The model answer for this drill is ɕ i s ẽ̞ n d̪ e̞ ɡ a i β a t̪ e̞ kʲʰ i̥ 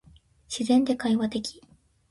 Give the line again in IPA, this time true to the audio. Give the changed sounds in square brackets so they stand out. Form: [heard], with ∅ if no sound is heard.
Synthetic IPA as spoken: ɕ i [z] ẽ̞ n d̪ e̞ [k] a i β a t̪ e̞ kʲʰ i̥

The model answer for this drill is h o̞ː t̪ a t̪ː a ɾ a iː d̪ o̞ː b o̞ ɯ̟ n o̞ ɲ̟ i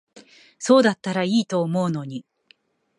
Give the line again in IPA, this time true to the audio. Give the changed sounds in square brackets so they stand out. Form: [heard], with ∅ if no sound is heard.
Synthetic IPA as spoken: [s] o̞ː [d̪] a t̪ː a ɾ a iː [t̪] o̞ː [m] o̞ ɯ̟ n o̞ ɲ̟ i

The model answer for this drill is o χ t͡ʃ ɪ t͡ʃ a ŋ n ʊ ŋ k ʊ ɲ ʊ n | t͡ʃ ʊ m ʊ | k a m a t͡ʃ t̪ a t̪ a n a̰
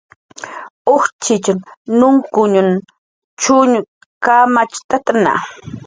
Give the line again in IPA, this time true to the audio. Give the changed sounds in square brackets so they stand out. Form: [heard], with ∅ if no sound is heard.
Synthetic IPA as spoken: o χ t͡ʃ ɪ t͡ʃ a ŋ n ʊ ŋ k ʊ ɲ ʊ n | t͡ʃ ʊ [ɲ] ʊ | k a m a t͡ʃ t̪ a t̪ a n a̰

